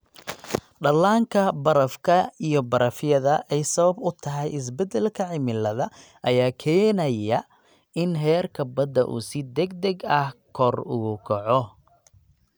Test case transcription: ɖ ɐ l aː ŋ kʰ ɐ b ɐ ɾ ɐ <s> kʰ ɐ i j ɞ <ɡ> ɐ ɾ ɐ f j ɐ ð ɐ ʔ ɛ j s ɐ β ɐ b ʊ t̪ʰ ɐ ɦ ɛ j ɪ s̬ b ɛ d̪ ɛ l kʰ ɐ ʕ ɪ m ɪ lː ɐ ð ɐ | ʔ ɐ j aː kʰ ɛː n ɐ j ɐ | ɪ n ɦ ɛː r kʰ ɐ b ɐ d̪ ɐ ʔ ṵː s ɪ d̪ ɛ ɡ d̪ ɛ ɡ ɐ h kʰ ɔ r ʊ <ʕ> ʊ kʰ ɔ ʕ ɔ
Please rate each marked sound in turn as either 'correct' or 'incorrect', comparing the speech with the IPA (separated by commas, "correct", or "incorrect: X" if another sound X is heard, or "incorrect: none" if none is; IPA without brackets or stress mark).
incorrect: f, incorrect: b, incorrect: ɣ